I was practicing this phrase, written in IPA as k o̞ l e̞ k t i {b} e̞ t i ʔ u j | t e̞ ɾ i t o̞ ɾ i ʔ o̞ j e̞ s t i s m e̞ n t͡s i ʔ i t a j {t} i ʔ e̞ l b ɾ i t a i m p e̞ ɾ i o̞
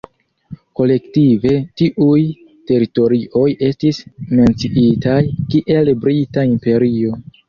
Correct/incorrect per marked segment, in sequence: incorrect, incorrect

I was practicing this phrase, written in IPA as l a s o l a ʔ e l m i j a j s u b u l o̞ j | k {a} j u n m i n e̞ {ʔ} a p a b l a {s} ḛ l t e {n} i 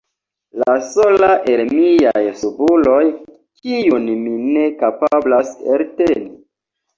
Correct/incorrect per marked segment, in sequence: incorrect, incorrect, correct, correct

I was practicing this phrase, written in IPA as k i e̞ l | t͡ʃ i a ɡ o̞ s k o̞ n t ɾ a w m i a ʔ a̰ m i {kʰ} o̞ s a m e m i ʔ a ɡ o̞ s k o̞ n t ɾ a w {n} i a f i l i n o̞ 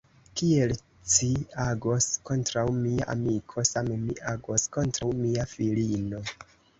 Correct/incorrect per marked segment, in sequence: correct, incorrect

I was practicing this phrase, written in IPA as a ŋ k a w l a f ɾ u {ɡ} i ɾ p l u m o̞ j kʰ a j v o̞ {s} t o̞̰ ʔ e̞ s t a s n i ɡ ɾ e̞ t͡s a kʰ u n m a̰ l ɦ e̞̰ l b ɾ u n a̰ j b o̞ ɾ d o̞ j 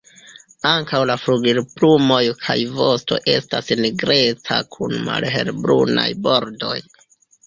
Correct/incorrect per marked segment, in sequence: correct, correct

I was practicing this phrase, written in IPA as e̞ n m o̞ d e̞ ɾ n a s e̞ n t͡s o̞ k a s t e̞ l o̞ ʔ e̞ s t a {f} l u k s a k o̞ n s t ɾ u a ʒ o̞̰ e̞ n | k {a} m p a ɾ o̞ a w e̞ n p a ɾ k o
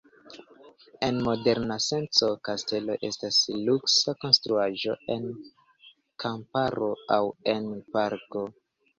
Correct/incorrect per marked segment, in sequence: incorrect, correct

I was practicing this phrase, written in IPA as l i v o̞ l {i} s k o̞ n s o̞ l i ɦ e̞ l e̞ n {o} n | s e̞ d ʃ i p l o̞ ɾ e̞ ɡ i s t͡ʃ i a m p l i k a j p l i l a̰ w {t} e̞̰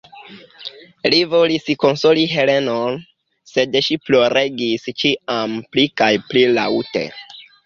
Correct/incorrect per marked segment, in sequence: correct, correct, correct

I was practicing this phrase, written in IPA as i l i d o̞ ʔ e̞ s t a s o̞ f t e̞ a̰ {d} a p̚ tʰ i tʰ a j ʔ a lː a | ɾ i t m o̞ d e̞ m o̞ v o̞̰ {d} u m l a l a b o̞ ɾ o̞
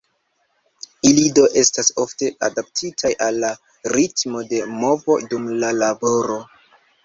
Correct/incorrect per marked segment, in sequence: correct, correct

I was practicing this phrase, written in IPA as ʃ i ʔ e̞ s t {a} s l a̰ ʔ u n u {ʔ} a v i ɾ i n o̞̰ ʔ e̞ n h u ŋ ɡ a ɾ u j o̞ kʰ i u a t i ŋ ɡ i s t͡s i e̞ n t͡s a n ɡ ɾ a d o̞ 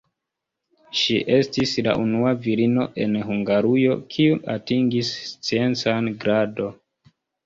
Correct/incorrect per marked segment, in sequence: incorrect, incorrect

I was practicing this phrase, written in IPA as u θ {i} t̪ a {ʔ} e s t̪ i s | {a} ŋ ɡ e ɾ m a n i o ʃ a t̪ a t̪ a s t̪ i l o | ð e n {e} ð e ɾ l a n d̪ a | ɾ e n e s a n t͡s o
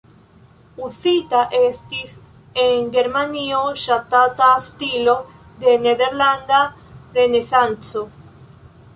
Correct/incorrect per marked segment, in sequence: correct, correct, incorrect, correct

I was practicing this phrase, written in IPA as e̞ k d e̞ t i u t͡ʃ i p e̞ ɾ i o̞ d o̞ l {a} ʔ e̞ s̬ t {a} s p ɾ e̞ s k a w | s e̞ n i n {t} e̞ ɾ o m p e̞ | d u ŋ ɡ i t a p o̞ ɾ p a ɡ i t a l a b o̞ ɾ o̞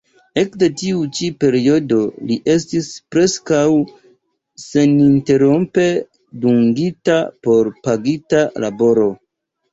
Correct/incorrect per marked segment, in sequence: incorrect, incorrect, correct

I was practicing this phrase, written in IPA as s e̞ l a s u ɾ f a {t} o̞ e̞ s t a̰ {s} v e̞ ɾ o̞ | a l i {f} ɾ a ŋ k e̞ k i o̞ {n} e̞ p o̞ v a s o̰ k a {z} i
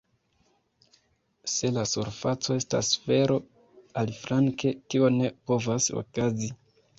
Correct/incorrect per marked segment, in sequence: incorrect, correct, correct, correct, correct

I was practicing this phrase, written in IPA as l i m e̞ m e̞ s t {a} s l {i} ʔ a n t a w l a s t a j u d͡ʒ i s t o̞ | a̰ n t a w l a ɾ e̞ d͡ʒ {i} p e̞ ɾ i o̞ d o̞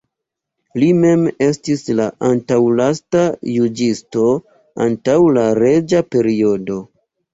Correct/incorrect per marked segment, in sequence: incorrect, incorrect, incorrect

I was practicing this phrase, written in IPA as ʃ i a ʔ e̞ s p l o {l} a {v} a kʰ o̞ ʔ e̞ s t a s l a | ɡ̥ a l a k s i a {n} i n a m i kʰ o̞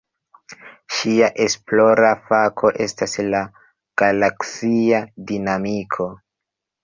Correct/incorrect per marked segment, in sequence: incorrect, incorrect, incorrect

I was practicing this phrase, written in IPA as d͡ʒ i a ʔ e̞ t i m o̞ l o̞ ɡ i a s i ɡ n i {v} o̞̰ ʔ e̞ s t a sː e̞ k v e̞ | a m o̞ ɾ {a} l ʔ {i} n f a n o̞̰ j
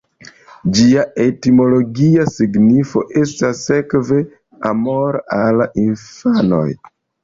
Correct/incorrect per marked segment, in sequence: incorrect, correct, correct

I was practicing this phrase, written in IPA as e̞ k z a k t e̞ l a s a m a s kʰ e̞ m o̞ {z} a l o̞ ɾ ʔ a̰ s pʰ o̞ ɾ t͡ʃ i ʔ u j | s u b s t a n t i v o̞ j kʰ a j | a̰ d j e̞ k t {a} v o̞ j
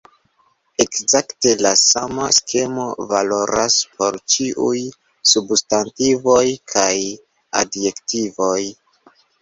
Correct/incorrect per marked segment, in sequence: incorrect, incorrect

